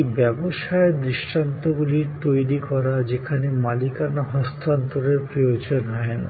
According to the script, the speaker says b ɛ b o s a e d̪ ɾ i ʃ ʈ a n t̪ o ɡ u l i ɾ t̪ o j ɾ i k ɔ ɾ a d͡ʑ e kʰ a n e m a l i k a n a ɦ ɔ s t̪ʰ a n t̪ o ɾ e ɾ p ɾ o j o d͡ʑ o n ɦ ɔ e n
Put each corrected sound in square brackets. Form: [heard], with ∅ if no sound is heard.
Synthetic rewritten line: b ɛ b o [ʃ] a e d̪ ɾ i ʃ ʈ a n t̪ o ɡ u l i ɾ t̪ o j ɾ i k ɔ ɾ a d͡ʑ e kʰ a n e m a l i k a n a ɦ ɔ s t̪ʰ a n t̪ o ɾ e ɾ p ɾ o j o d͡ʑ o n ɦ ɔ e n

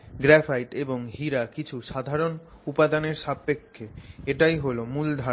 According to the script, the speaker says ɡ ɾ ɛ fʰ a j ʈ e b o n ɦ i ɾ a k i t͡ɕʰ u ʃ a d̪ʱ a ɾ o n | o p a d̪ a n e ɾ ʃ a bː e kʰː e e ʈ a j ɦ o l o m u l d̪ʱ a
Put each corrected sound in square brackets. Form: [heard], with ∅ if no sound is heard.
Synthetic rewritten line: ɡ ɾ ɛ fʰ a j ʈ e b o [ŋ] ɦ i ɾ a k i t͡ɕʰ u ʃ a d̪ʱ a ɾ o n | [u] p a d̪ a n e ɾ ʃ a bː e kʰː e e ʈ a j ɦ o l o m u l d̪ʱ a

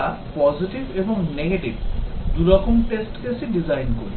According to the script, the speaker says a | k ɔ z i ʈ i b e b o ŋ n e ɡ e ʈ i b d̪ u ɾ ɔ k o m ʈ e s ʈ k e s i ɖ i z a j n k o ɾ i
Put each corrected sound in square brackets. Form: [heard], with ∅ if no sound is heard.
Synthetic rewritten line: a | [p] ɔ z i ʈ i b e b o ŋ n e ɡ e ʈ i b d̪ u ɾ ɔ k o m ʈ e s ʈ k e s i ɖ i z a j n k o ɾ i

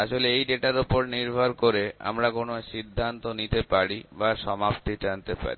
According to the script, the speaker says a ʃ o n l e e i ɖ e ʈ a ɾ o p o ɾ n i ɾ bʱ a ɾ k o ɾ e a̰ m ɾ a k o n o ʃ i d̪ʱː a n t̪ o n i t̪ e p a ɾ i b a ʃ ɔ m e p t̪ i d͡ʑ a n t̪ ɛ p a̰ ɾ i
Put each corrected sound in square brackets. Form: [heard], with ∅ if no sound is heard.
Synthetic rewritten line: a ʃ o [∅] l e e [j] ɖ e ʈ a ɾ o p o ɾ n i ɾ bʱ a ɾ k o ɾ e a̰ m ɾ a k o n o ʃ i d̪ʱː a n t̪ o n i t̪ e p a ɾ i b a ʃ ɔ m [a] p t̪ i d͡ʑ a n t̪ [e] p a̰ ɾ i

